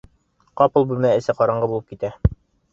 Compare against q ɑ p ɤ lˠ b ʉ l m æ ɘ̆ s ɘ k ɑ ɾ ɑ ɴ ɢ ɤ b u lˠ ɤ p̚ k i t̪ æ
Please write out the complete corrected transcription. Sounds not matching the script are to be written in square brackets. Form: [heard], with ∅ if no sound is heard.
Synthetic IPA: q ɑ p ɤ lˠ b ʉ l m æ ɘ̆ s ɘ [q] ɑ ɾ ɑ ɴ ɢ ɤ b u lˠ ɤ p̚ k i t̪ æ